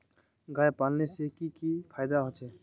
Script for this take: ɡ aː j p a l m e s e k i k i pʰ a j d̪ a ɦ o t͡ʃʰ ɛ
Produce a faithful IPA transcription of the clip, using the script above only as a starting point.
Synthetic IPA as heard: ɡ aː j p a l n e s e k i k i pʰ a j d̪ a ɦ o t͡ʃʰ ɛ